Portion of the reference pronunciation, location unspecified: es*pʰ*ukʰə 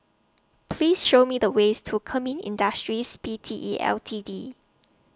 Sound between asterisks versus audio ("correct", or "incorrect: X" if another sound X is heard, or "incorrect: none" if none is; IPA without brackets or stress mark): incorrect: tʰ